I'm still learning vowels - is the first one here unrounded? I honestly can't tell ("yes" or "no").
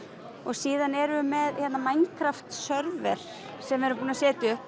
no